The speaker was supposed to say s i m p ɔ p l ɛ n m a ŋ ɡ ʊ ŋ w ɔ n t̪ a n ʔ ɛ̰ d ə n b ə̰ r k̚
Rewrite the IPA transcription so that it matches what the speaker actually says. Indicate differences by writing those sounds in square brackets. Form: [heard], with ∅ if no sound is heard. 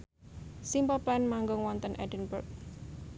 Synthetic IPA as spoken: s i m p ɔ p l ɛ n m a ŋ ɡ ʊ ŋ w ɔ n t̪ [ə] n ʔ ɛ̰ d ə n b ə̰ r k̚